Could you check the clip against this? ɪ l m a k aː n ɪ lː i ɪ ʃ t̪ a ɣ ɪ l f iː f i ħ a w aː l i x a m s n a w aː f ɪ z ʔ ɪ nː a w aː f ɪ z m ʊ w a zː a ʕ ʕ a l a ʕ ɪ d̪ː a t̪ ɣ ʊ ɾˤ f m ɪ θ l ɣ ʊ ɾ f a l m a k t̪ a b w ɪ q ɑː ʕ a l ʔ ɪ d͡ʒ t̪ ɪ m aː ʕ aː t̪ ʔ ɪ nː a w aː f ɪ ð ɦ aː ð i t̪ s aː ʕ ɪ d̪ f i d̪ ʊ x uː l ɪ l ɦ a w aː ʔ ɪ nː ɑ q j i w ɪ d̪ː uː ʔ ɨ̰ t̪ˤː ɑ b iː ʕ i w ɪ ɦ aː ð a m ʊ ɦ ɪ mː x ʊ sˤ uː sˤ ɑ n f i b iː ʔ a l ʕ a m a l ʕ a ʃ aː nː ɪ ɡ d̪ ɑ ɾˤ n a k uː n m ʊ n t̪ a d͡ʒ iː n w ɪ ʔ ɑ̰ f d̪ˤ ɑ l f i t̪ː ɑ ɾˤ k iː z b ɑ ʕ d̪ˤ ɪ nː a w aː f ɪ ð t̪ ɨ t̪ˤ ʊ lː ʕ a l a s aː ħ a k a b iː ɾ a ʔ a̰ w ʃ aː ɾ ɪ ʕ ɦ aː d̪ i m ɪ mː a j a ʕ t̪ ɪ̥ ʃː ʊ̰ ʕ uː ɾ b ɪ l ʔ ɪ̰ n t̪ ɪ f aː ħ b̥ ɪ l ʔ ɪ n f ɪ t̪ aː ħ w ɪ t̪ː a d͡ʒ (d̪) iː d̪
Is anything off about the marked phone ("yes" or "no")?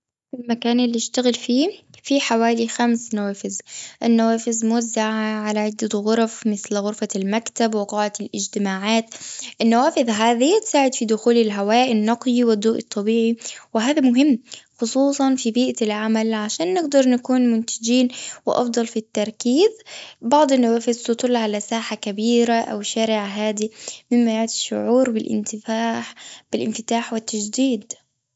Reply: no